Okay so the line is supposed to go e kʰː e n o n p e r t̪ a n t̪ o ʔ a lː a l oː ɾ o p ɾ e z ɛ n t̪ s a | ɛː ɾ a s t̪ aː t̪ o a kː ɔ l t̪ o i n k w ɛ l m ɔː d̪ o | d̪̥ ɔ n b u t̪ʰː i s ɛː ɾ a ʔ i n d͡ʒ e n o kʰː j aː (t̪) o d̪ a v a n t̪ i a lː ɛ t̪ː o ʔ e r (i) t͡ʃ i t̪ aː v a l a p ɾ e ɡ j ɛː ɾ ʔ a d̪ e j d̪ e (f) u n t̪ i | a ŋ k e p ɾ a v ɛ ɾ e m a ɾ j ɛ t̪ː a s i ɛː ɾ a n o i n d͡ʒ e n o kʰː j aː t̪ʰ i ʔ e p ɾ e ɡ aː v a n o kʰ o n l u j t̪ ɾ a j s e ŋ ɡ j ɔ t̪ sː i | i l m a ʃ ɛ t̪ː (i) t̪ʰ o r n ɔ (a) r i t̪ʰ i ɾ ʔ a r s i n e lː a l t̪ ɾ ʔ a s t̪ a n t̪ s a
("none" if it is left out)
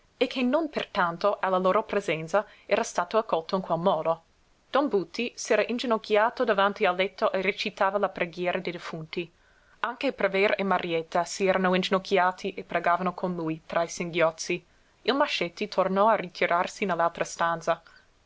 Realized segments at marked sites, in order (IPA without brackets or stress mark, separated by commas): t̪, e, f, i, a